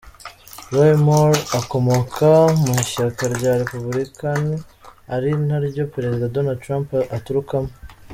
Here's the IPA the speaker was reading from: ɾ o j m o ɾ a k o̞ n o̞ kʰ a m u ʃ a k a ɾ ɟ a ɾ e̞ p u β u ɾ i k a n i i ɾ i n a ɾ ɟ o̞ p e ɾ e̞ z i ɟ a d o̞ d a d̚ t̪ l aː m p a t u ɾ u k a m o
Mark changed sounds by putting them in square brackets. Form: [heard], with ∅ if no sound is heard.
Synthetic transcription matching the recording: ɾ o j m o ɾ a k o̞ [m] o̞ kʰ a m u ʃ a k a ɾ ɟ a ɾ e̞ p u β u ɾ i k a n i [a] ɾ i n a ɾ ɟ o̞ p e ɾ e̞ z i [d] a d o̞ [n] a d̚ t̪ [ɾ] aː m p a t u ɾ u k a m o